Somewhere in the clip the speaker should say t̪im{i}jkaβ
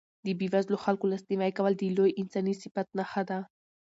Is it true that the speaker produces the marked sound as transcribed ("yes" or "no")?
no